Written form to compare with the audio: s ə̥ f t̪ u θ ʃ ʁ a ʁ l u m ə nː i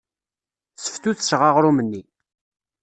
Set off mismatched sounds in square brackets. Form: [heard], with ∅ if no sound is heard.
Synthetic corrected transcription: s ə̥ f t̪ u θ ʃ ʁ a ʁ [ɾ] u m ə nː i